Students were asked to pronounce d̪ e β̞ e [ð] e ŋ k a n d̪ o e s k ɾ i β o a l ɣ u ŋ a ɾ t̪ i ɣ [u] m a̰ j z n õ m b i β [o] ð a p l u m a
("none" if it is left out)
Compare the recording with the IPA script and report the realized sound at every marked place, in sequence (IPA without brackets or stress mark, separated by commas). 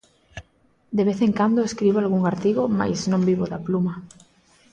θ, o, o